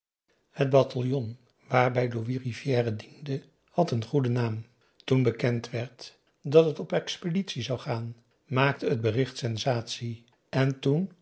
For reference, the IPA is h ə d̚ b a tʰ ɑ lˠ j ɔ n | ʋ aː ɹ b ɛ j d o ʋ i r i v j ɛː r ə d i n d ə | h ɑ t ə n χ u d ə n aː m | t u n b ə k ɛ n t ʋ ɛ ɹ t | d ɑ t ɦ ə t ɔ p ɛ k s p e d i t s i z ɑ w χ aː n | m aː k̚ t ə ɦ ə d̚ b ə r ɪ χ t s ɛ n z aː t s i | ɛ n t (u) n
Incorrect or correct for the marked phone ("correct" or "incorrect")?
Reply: correct